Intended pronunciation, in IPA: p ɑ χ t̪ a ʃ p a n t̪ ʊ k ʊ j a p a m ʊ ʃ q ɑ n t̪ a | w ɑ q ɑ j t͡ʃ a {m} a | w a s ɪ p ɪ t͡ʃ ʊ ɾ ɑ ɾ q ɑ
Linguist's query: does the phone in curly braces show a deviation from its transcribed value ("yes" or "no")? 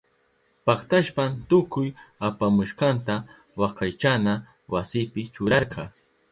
yes